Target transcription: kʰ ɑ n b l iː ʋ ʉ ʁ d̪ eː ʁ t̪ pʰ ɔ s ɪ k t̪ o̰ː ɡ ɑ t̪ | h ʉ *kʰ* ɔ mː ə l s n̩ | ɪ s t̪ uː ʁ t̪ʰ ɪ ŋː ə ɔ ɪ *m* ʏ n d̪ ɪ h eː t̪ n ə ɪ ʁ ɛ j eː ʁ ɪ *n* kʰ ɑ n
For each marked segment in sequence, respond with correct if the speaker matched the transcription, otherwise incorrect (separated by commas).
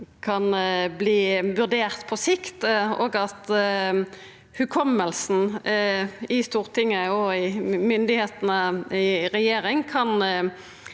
correct, correct, incorrect